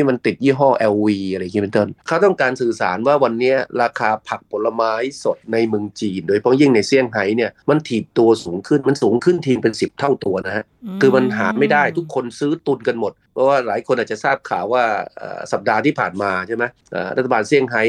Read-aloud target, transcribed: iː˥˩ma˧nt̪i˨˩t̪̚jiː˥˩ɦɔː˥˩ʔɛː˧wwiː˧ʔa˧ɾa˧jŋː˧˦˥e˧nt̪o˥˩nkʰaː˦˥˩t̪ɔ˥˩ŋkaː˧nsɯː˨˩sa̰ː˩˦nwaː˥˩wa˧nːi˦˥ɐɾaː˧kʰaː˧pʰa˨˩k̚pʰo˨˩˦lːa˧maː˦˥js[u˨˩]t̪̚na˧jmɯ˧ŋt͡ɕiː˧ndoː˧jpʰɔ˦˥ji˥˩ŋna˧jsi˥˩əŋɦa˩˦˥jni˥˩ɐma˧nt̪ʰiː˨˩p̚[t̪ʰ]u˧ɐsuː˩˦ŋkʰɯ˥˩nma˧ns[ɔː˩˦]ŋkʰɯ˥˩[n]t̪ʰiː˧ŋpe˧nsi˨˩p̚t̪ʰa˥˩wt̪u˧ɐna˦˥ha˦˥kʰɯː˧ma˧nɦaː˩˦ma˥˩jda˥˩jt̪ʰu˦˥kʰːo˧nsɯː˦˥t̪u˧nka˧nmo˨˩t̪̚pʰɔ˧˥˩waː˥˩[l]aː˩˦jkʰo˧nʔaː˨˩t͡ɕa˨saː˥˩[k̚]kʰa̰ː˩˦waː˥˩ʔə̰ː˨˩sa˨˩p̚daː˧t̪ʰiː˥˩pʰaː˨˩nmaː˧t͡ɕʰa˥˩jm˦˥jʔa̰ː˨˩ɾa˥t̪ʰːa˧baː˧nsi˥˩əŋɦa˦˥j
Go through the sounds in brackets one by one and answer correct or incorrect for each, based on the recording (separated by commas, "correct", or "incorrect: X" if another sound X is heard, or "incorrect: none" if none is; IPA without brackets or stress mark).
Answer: incorrect: o˨˩, incorrect: t̪, incorrect: uː˩˦, correct, correct, incorrect: p̚